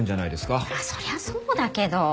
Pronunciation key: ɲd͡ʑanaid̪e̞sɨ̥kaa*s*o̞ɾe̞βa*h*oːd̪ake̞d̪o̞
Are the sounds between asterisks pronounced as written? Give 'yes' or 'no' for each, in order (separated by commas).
yes, no